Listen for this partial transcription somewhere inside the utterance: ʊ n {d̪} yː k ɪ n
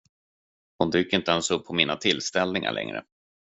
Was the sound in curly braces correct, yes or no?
yes